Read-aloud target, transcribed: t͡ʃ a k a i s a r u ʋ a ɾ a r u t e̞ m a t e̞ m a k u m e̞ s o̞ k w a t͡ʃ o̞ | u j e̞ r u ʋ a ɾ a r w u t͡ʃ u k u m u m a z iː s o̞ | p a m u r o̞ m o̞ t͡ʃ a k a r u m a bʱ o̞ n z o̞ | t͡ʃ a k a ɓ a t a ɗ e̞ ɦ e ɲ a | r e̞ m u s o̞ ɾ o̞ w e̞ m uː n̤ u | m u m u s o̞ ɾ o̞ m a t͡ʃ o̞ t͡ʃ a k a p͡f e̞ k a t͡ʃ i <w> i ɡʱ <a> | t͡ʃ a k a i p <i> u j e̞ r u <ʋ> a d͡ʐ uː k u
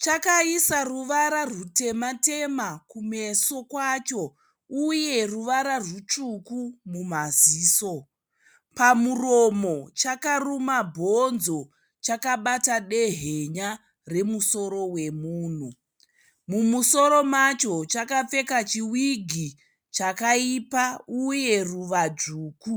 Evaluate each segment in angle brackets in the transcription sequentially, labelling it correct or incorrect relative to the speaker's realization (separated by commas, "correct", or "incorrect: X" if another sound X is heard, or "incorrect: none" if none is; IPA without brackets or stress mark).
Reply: correct, incorrect: i, incorrect: a, correct